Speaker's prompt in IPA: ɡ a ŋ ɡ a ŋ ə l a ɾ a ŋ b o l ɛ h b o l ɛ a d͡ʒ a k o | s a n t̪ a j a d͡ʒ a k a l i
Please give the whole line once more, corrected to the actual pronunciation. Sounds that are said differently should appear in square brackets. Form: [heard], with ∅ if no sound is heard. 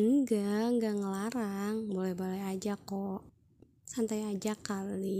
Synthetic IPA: ɡ a ŋ ɡ a ŋ ə l a ɾ a ŋ b o l ɛ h b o l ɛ a d͡ʒ a k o | s a n t̪ a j a d͡ʒ a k a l i